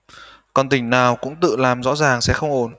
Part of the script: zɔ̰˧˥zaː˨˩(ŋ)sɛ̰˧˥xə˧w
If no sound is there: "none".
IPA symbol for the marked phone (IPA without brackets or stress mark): ŋ